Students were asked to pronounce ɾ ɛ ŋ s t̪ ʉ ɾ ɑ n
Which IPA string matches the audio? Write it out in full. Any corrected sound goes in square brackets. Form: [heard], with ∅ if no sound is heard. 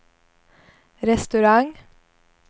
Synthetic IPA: ɾ ɛ [∅] s t̪ ʉ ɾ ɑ [ŋ]